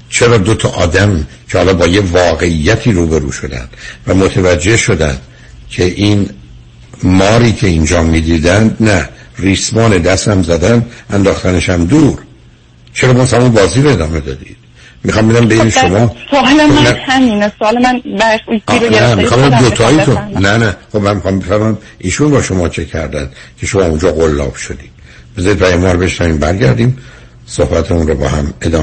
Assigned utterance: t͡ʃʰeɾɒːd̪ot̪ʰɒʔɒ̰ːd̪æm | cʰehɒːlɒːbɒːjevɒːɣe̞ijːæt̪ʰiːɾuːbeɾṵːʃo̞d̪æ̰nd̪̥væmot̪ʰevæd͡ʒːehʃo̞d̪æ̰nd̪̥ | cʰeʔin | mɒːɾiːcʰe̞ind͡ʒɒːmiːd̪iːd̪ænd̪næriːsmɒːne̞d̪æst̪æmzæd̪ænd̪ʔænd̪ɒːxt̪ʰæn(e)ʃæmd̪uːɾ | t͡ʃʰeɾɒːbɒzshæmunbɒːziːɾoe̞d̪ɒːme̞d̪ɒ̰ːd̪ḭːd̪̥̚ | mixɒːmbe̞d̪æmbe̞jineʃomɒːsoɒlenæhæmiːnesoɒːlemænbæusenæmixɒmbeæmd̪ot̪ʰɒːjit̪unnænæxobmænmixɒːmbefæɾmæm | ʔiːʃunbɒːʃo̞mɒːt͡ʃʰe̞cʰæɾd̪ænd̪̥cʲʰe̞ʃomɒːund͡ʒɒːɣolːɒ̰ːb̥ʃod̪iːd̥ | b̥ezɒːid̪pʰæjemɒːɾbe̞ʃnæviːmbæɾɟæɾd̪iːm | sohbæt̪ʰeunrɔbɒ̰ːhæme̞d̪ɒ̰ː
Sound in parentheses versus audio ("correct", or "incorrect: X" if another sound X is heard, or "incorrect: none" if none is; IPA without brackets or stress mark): correct